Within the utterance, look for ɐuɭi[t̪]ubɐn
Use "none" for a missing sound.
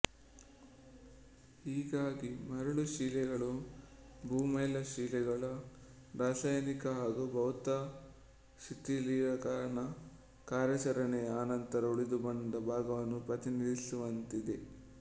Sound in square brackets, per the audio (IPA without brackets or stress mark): d̪